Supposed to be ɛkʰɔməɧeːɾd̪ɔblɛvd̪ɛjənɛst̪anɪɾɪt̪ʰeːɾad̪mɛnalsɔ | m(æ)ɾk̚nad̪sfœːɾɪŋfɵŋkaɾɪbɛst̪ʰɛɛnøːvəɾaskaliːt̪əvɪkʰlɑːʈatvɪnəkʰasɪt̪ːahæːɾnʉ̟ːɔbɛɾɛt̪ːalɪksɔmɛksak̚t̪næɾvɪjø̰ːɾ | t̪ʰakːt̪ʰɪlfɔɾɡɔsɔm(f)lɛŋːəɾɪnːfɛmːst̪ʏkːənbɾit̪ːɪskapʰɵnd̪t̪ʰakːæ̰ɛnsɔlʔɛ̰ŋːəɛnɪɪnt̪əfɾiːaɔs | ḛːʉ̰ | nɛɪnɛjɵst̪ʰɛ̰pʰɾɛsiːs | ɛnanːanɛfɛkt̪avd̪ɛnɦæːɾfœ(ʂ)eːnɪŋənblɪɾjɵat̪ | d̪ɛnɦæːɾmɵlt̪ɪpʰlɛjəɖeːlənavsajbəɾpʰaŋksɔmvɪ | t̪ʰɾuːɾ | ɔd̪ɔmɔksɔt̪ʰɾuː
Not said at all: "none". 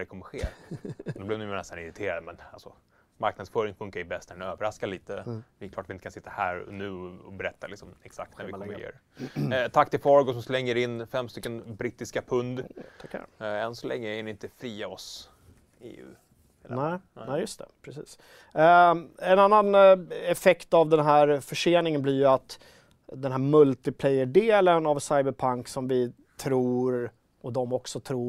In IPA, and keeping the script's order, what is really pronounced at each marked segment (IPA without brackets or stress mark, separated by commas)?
a, s, ʂ